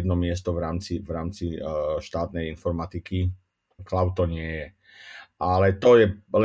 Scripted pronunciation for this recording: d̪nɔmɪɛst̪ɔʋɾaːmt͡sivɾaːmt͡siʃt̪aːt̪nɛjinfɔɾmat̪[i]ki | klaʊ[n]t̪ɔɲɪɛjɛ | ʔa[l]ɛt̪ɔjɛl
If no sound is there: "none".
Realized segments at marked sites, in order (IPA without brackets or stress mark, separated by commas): i, none, l